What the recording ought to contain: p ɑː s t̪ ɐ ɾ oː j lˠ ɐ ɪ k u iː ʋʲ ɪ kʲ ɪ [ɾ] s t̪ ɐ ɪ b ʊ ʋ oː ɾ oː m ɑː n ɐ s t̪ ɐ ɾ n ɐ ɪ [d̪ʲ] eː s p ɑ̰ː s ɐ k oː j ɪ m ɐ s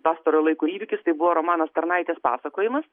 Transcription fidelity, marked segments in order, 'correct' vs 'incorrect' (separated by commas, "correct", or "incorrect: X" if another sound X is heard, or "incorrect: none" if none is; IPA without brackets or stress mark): incorrect: none, incorrect: t̪ʲ